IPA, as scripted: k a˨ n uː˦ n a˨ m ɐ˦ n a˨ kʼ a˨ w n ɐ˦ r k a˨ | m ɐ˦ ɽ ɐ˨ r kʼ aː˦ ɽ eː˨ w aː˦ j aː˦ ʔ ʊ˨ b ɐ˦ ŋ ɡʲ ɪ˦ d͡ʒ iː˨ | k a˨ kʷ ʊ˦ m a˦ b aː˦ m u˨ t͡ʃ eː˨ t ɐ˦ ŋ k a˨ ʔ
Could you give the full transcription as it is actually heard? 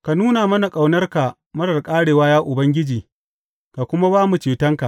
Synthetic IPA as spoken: k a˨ n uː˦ n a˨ m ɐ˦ n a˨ kʼ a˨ w n ɐ˦ r k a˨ | m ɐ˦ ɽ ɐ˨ r kʼ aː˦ ɽ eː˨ w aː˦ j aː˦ ʔ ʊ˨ b ɐ˦ ŋ ɡʲ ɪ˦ d͡ʒ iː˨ | k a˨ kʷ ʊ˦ m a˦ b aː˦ m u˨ t͡ʃ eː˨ t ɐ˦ ŋ k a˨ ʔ